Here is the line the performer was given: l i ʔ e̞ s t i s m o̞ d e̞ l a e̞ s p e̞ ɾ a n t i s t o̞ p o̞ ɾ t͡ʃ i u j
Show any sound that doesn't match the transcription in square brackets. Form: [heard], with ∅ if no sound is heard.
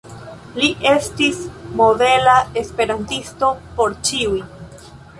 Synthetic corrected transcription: l i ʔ e̞ s t i s m o̞ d e̞ l a e̞ s p e̞ ɾ a n t i s t o̞ p o̞ ɾ t͡ʃ i u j